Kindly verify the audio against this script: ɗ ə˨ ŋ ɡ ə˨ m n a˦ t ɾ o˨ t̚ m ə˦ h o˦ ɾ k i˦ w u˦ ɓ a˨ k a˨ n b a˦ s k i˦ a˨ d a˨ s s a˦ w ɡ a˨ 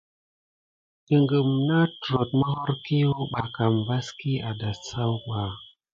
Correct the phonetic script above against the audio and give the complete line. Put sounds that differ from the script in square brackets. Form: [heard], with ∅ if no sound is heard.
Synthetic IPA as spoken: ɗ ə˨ ŋ ɡ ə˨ m n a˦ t ɾ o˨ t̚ m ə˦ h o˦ ɾ k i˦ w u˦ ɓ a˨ k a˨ [m] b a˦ s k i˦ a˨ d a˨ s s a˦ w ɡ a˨